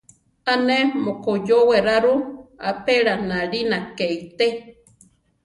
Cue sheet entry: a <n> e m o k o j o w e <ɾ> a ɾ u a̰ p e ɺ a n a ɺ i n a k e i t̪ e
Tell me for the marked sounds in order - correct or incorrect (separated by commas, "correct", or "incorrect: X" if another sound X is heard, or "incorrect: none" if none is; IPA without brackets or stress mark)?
correct, correct